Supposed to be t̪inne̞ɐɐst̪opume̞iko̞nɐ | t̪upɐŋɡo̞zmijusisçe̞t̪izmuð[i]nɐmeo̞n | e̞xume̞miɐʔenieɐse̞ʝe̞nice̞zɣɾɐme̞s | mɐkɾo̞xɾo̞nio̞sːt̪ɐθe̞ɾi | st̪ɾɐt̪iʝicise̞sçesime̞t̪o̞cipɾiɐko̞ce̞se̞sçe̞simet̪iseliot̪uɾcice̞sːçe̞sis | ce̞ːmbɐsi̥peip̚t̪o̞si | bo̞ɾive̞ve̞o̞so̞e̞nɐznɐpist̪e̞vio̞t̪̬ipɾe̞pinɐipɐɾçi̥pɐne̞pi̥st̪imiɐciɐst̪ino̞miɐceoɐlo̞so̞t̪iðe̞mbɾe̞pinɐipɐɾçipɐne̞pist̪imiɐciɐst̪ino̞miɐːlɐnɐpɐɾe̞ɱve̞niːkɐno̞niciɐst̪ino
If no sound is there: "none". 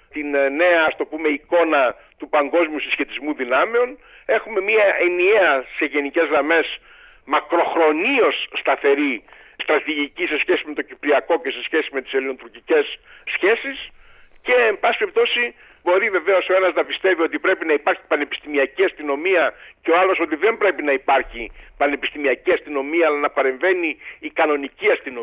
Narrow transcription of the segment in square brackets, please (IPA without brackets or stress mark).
i